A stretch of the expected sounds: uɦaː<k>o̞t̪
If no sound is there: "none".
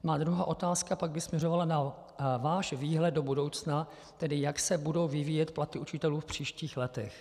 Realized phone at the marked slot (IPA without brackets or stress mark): ʔ